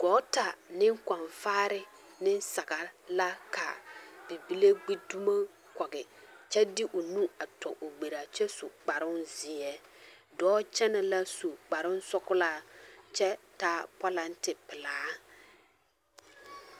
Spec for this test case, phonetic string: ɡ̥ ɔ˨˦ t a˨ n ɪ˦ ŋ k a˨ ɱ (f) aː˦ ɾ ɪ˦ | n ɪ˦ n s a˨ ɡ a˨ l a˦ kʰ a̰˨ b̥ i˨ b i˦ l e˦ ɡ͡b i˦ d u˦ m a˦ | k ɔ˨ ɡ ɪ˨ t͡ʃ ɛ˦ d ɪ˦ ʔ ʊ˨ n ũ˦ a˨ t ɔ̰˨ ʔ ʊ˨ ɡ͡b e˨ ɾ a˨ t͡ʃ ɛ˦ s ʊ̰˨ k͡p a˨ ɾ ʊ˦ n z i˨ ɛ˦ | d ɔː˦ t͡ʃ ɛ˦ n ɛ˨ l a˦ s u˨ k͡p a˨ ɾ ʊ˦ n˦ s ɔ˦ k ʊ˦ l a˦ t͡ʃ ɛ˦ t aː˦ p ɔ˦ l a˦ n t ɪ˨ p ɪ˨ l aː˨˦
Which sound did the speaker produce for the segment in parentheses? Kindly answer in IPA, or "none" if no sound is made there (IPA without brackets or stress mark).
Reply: f